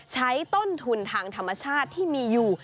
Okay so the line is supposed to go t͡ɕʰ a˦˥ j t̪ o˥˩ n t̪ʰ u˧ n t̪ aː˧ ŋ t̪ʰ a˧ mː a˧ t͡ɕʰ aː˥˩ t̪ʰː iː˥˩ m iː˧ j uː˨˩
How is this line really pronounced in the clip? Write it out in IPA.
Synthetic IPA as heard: t͡ɕʰ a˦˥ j t̪ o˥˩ n t̪ʰ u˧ n t̪ʰ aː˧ ŋ t̪ʰ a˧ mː a˧ t͡ɕʰ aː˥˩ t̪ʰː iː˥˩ m iː˧ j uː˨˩